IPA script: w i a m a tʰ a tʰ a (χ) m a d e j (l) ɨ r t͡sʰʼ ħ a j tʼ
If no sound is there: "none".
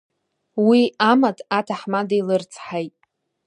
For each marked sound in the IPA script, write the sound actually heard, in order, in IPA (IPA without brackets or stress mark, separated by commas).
ħ, l